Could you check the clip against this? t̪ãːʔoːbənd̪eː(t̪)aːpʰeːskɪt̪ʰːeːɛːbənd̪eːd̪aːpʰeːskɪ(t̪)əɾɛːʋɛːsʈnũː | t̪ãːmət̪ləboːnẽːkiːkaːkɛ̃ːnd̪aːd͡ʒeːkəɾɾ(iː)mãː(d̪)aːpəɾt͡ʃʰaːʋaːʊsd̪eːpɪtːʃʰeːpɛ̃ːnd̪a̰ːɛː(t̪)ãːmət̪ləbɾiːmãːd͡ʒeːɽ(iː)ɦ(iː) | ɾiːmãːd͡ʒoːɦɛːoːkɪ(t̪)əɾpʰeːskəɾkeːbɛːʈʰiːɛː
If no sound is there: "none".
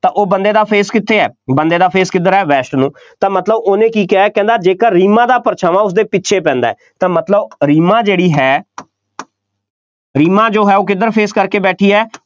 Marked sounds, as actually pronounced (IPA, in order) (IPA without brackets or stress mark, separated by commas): d̪, d̪, iː, d̪, t̪, iː, ɛː, d̪